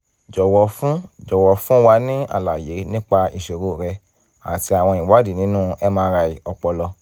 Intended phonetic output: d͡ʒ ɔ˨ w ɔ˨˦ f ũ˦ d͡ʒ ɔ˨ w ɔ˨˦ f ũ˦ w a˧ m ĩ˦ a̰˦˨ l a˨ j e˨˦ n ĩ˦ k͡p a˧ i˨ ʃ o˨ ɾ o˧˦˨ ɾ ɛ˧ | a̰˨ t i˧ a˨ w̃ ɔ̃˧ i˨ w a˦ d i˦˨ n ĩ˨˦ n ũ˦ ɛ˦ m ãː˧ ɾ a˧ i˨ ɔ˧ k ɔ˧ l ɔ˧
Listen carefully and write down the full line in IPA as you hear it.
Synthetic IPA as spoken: d͡ʒ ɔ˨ w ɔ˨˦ f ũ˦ d͡ʒ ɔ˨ w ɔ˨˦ f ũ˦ w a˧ n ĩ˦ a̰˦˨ l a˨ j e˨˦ n ĩ˦ k͡p a˧ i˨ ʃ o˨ ɾ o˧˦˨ ɾ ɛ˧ | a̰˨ t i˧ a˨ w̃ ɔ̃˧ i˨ w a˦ d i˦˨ n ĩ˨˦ n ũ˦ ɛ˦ m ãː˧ ɾ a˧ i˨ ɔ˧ k͡p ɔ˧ l ɔ˧